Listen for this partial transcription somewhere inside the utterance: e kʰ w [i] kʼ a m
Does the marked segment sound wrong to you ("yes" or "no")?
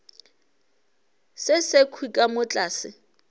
no